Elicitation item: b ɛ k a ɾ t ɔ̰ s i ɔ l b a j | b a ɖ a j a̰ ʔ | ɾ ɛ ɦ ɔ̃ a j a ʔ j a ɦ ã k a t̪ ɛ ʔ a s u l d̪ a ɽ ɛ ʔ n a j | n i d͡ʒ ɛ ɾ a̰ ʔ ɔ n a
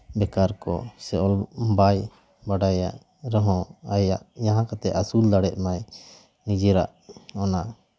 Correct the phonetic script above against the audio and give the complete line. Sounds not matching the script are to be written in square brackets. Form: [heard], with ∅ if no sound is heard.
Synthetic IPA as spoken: b ɛ k a ɾ [k] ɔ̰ s [ɛ] ɔ l b a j | b a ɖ a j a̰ ʔ | ɾ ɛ ɦ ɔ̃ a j a ʔ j a ɦ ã k a t̪ ɛ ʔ a s u l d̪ a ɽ ɛ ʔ [m] a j | n i d͡ʒ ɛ ɾ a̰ ʔ ɔ n a